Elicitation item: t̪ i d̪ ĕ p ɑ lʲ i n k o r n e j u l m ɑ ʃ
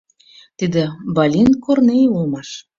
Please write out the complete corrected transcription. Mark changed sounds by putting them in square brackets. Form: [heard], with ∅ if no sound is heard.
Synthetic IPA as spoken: t̪ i d̪ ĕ [b] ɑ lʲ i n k o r n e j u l m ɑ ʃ